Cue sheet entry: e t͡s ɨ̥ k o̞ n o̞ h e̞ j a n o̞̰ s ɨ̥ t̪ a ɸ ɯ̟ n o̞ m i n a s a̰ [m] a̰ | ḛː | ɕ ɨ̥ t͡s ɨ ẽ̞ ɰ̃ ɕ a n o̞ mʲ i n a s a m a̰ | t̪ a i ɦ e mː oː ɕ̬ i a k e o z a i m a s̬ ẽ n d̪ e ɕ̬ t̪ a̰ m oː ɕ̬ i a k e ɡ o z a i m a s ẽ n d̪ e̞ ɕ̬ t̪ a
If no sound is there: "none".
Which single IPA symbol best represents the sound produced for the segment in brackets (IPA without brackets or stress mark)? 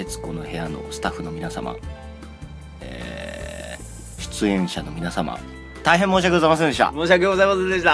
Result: m